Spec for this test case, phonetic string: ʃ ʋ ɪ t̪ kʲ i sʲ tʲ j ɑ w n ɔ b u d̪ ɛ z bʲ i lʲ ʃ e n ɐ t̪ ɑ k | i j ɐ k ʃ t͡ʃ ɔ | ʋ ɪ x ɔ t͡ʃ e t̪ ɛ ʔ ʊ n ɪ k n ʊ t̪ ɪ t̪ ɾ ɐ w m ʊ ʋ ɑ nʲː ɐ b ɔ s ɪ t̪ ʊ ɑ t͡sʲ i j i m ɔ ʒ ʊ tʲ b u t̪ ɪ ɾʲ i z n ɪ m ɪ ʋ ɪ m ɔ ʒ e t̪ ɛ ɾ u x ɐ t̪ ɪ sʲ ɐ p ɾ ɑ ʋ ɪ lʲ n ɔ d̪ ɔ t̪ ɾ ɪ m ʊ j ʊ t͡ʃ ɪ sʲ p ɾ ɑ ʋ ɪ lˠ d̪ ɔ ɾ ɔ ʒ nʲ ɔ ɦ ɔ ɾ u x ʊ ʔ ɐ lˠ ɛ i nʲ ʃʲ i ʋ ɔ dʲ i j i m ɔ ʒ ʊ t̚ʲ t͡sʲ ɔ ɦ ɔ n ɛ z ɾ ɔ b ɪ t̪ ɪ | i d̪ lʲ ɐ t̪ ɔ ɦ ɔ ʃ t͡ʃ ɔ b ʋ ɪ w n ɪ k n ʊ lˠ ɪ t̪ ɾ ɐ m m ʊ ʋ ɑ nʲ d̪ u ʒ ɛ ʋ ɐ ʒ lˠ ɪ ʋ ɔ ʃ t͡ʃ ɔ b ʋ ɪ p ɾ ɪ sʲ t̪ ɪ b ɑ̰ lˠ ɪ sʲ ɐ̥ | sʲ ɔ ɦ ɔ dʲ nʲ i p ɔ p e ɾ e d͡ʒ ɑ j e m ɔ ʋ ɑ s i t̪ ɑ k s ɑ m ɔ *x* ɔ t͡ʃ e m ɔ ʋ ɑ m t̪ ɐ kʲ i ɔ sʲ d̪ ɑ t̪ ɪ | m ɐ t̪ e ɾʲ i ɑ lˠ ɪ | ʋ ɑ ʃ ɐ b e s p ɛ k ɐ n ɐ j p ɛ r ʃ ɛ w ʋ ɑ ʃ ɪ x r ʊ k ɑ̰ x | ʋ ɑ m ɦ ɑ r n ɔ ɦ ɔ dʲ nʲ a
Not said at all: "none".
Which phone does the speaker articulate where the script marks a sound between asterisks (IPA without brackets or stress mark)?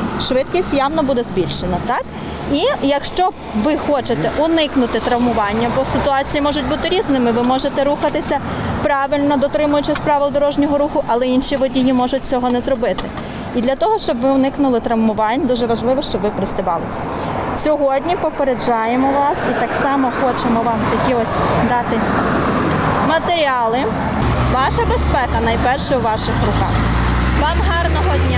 x